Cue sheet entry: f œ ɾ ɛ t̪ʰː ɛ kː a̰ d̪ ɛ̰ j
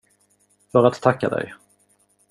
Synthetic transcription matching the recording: f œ ɾ a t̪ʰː a kː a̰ d̪ ɛ̰ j